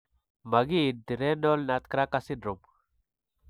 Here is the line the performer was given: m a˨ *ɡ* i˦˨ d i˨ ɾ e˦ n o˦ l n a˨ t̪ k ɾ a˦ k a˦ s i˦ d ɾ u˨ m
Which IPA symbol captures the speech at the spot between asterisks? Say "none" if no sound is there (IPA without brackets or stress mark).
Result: ɡ